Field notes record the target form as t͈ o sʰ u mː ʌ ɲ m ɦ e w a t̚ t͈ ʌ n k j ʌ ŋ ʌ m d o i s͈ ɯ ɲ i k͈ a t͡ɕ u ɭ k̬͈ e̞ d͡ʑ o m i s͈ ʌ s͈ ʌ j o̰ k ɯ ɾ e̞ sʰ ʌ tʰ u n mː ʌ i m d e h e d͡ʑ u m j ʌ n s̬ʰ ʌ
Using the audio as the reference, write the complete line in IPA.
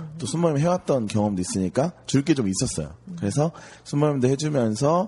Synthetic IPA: t͈ o sʰ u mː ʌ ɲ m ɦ e w a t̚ t͈ ʌ n k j ʌ ŋ ʌ m d o i s͈ ɯ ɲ i k͈ a t͡ɕ u ɭ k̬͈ e̞ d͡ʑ o m i s͈ ʌ s͈ ʌ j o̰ k ɯ ɾ e̞ sʰ ʌ sʰ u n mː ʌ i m d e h e d͡ʑ u m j ʌ n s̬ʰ ʌ